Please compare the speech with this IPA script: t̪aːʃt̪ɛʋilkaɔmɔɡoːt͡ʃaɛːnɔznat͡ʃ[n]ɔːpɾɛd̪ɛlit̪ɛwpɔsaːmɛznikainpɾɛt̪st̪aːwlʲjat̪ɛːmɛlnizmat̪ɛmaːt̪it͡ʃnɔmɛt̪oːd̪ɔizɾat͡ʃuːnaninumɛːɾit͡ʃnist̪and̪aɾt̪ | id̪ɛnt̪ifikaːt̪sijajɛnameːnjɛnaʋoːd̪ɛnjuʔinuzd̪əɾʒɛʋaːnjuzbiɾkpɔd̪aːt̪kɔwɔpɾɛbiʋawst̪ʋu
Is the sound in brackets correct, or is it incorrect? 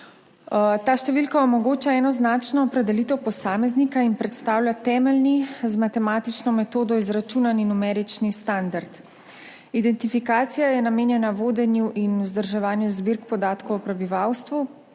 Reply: correct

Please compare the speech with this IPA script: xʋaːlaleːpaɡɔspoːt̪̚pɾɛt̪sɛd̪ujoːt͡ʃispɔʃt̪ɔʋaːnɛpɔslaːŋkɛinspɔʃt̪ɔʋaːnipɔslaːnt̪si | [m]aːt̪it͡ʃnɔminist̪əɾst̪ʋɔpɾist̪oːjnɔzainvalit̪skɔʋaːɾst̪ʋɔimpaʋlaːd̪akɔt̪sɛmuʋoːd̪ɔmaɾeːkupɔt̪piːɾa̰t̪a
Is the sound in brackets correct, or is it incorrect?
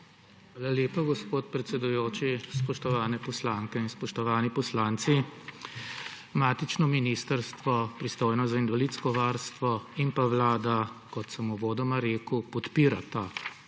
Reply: correct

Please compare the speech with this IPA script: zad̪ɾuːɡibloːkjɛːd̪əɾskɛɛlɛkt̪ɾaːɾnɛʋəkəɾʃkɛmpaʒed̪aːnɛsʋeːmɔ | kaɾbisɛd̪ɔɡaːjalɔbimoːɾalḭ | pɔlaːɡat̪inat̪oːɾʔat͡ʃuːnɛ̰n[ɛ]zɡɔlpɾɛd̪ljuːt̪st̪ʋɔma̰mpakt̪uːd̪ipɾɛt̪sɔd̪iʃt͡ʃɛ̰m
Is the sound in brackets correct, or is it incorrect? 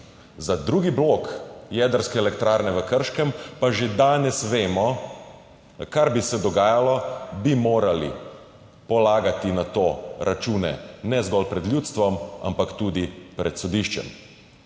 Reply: correct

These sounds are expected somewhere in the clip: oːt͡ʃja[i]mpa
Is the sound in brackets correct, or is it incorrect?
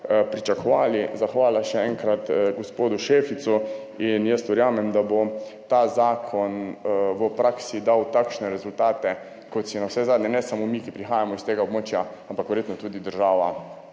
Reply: incorrect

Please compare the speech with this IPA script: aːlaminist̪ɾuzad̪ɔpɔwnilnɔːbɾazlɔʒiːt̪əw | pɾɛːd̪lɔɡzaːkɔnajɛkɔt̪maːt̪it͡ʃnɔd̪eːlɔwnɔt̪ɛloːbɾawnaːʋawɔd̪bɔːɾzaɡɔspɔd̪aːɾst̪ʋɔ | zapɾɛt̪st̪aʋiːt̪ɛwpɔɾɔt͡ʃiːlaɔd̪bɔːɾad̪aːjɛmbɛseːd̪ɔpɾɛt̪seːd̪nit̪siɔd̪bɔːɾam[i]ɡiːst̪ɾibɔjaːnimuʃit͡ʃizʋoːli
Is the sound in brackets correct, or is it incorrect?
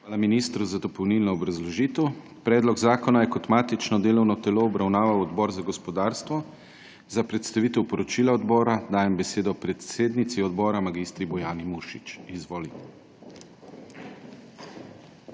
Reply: incorrect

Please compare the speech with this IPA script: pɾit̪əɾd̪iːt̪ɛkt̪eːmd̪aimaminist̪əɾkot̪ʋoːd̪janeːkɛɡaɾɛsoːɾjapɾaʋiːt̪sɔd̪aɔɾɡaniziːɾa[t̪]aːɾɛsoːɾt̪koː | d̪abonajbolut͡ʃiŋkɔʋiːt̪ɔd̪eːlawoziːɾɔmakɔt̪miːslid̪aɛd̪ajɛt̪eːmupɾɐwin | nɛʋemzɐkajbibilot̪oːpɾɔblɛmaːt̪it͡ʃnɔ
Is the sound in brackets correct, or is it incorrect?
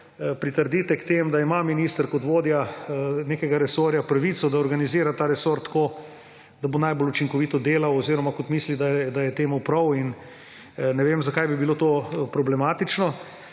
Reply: correct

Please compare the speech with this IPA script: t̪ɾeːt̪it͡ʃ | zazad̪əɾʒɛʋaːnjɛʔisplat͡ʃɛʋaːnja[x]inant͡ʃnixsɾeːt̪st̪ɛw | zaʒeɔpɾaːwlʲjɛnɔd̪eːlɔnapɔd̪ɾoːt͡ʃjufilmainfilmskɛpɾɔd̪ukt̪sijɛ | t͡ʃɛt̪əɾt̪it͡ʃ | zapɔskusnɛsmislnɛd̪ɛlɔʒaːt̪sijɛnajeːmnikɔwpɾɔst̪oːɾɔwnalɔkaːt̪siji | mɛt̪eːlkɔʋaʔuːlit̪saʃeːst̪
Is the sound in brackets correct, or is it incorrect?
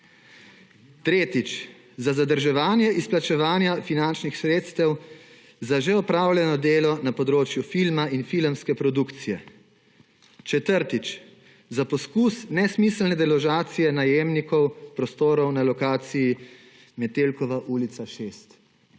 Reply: incorrect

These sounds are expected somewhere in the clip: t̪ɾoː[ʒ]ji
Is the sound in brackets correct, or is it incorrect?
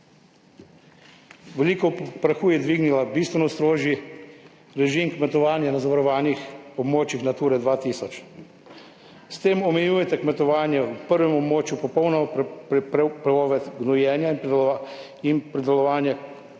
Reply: correct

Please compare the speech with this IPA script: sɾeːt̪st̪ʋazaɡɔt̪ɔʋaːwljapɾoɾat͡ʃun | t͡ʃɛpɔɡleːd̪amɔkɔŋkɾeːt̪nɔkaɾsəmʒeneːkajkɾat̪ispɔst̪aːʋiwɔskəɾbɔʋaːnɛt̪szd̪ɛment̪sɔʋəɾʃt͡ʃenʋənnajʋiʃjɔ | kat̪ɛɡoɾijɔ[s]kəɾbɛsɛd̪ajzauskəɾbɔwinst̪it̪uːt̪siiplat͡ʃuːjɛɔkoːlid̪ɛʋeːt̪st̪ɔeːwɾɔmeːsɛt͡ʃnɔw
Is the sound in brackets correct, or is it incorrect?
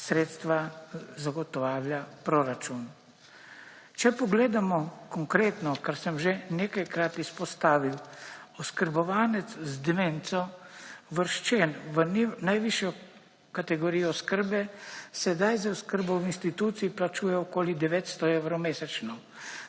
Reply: correct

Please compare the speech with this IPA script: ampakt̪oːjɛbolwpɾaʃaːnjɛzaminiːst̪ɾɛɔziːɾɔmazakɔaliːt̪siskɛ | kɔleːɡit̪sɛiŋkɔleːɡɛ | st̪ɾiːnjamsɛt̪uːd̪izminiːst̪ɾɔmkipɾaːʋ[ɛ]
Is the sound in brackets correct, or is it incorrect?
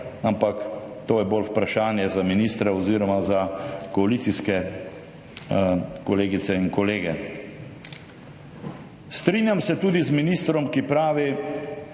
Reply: incorrect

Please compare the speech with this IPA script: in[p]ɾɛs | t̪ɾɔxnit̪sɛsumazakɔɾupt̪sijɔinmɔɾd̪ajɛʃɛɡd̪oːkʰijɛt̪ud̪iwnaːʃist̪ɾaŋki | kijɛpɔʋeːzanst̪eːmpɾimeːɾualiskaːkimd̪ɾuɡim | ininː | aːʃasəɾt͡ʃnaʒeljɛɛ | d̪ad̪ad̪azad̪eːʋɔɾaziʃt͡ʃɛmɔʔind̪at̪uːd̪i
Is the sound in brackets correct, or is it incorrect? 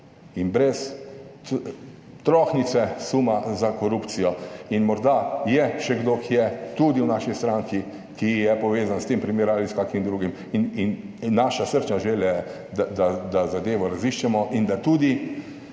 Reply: incorrect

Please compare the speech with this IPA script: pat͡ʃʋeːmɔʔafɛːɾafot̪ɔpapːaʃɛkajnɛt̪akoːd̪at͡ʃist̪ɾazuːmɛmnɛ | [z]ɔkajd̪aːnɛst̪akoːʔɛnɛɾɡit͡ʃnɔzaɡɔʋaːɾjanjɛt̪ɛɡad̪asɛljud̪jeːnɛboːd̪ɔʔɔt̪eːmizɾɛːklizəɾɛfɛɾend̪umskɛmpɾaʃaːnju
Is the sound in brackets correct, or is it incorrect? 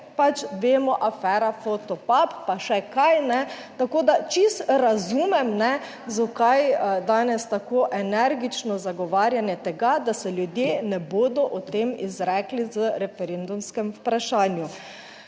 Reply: correct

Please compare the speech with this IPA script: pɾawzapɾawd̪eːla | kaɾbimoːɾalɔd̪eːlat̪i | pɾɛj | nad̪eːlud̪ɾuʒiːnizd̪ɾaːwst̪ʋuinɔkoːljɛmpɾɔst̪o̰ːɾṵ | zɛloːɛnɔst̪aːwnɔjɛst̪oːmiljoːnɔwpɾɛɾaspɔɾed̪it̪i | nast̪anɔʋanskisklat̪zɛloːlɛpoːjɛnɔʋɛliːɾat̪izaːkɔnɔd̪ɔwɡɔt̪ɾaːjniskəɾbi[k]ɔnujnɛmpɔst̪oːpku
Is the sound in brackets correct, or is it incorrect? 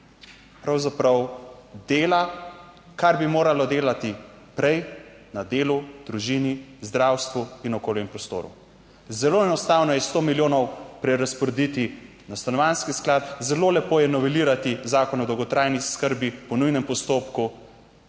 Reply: incorrect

